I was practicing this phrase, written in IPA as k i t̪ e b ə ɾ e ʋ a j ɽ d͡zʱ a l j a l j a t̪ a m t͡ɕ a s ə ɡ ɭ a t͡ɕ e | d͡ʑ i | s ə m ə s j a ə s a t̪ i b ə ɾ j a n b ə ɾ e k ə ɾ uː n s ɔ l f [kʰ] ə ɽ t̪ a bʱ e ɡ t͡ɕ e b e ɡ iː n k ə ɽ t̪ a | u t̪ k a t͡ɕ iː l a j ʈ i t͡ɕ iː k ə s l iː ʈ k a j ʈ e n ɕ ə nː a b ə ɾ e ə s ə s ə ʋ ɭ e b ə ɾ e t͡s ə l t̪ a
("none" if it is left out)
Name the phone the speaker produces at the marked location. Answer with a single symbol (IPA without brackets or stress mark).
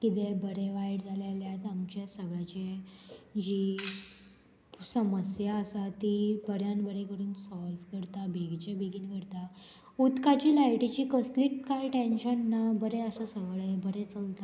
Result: k